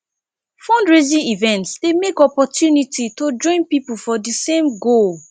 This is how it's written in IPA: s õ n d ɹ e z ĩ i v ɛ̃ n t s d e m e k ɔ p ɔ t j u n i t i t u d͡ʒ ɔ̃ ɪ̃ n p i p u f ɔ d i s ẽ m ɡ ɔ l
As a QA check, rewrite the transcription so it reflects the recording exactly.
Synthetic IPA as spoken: f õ n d ɹ e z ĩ i v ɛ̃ n t s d e m e k ɔ p ɔ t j u n i t i t o d͡ʒ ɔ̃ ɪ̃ n p i p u f ɔ d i s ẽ m ɡ o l

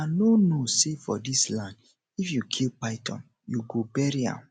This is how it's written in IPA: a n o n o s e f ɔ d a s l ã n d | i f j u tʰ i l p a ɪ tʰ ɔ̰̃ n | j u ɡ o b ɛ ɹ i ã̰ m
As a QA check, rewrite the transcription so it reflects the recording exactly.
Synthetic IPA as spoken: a n o n o s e f ɔ d i s l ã n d | i f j u kʰ i l p a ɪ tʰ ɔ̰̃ n | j u ɡ o b ɛ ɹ i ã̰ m

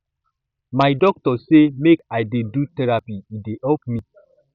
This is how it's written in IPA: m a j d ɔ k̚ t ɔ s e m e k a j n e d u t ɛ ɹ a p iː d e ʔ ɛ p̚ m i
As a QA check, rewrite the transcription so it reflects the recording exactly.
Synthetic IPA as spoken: m a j d ɔ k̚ t ɔ s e m e k a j d e d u t ɛ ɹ a p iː d e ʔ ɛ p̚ m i

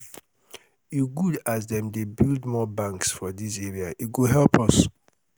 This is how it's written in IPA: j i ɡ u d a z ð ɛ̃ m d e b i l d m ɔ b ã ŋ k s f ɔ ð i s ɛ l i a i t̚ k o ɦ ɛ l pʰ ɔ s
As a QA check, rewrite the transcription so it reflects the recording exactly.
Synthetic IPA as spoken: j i ɡ u d a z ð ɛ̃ m d e b i l d m ɔ b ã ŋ k s f ɔ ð i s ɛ ɹ i a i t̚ ɡ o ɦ ɛ l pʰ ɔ s

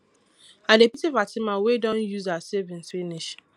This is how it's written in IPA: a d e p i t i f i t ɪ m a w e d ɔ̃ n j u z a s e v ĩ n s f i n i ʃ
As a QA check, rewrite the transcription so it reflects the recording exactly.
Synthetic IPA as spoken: a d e p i t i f a t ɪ m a w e d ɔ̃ n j u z a s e v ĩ n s f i n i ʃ

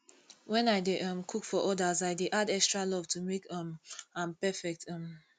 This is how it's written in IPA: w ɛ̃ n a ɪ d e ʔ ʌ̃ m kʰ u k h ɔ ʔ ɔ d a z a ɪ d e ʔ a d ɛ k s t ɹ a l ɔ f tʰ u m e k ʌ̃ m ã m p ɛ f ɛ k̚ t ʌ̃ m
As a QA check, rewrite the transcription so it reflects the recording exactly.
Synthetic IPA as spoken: w ɛ̃ n a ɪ d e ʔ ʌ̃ m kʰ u k f ɔ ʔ ɔ d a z a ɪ d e ʔ a d ɛ k s t ɹ a l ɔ v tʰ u m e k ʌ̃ m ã m p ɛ f ɛ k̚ t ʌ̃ m

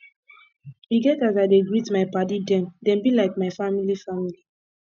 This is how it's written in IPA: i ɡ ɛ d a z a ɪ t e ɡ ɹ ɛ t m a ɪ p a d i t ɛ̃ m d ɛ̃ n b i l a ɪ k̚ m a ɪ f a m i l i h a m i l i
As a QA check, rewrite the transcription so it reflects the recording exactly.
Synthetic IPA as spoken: i ɡ ɛ t a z a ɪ d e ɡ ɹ i t m a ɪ p a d i d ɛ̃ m d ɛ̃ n b i l a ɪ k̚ m a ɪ f a m i l i f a m i l i

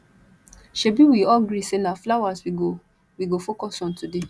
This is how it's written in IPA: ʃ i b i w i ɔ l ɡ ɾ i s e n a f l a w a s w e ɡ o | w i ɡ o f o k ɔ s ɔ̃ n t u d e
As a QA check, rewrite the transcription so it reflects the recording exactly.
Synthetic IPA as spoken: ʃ e b i w i ɔ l ɡ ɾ i s e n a f l a w a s w i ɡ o | w i ɡ o f o k ɔ s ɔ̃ n t u d e

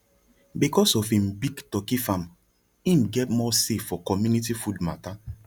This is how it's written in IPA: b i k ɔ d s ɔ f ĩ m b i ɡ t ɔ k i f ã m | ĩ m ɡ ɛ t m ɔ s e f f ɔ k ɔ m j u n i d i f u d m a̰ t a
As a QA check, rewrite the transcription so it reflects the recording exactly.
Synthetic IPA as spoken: b i k ɔ s ɔ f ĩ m b i ɡ t ɔ k i f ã m | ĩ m ɡ ɛ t m ɔ s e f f ɔ k ɔ m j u n i t i f u d m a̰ t a

